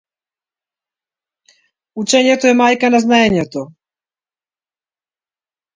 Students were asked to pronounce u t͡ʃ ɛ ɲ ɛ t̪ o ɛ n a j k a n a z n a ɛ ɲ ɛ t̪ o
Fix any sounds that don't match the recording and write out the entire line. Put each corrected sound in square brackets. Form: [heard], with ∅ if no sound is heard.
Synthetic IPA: u t͡ʃ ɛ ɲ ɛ t̪ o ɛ [m] a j k a n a z n a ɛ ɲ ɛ t̪ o